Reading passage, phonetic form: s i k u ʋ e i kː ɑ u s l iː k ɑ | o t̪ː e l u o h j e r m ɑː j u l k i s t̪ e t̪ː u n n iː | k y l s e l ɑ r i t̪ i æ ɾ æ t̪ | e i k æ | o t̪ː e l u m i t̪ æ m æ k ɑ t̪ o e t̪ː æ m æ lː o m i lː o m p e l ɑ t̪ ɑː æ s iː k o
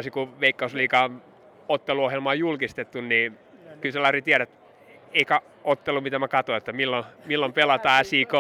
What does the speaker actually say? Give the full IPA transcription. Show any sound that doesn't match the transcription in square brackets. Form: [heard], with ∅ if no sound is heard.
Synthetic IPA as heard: s i k u ʋ e i kː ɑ u s l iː k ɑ | o t̪ː e l u o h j e [l] m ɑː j u l k i s t̪ e t̪ː u n n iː | k y l s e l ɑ r i t̪ i æ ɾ æ t̪ | e i k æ | o t̪ː e l u m i t̪ æ m æ k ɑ t̪ o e t̪ː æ m [i] lː o m i lː o m p e l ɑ t̪ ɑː æ s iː k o